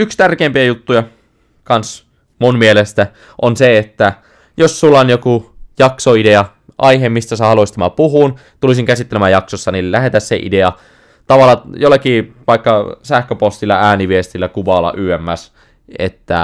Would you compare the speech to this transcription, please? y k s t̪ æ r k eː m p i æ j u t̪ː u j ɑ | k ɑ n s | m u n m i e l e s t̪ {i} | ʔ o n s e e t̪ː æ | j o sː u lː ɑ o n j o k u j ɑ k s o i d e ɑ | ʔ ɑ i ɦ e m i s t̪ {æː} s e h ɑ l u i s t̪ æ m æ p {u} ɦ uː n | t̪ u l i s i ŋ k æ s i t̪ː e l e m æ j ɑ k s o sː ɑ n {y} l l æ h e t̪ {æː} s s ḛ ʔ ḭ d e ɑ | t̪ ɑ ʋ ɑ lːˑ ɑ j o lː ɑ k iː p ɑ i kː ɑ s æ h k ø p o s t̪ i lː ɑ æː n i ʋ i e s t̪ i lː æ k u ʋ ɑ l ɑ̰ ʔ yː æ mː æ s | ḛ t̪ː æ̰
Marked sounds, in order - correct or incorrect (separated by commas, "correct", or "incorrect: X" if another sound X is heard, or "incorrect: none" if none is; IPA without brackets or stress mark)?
incorrect: æ, incorrect: æ, correct, incorrect: i, incorrect: æ